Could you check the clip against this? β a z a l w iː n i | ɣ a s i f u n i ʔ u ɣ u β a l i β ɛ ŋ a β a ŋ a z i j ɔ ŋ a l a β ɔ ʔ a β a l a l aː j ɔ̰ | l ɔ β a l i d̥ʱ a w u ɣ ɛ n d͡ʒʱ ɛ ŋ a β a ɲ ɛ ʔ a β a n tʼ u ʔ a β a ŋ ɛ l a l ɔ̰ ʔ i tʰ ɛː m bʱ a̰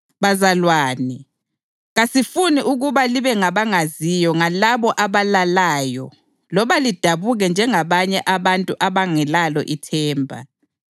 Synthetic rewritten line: β a z a l w aː n i | ɣ a s i f u n i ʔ u ɣ u β a l i β ɛ ŋ a β a ŋ a z i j ɔ ŋ a l a β ɔ ʔ a β a l a l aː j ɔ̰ | l ɔ β a l i d̥ʱ a β u ɣ ɛ n d͡ʒʱ ɛ ŋ a β a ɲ ɛ ʔ a β a n tʼ u ʔ a β a ŋ ɛ l a l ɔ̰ ʔ i tʰ ɛː m bʱ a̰